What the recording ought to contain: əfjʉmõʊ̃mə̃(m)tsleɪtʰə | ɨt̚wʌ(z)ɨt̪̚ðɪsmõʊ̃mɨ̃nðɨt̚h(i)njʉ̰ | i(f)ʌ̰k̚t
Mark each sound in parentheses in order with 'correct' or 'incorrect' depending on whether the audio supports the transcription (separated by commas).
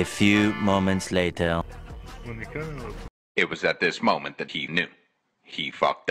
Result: incorrect, correct, correct, correct